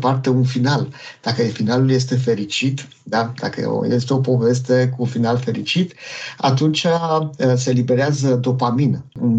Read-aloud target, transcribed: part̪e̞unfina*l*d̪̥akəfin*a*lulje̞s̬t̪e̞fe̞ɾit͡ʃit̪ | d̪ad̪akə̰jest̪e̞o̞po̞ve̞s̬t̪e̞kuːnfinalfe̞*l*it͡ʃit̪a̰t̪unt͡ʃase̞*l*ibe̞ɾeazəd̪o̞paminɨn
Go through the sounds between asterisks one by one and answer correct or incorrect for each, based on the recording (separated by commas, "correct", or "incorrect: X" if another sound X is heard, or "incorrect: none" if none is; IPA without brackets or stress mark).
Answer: correct, correct, incorrect: ɾ, correct